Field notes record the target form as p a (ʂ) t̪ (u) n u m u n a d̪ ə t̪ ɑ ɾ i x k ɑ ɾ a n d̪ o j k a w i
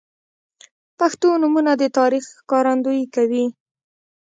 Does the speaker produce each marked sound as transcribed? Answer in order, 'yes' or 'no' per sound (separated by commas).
no, no